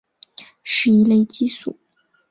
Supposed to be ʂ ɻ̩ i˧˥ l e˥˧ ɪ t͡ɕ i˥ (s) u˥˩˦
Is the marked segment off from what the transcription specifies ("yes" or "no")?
no